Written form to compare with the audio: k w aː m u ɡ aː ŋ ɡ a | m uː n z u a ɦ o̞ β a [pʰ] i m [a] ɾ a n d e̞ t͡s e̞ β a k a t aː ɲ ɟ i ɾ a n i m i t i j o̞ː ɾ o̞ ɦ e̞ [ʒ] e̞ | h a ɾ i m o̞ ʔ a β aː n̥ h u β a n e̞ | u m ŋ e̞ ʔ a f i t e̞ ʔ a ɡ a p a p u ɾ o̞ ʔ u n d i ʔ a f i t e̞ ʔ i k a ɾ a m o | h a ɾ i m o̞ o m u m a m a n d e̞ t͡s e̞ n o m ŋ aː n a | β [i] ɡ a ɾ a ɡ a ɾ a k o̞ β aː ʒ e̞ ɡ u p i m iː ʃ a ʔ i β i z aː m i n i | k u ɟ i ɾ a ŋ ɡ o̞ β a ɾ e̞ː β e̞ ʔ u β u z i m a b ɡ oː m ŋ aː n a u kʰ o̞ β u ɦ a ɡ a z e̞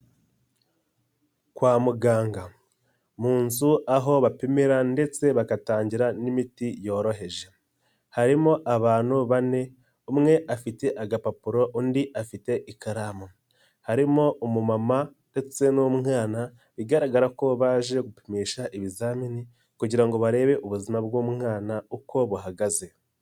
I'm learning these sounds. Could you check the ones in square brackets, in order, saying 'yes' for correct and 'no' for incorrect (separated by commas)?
no, no, yes, yes